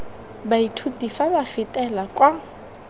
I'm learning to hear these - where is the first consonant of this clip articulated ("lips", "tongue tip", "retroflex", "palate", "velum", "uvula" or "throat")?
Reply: lips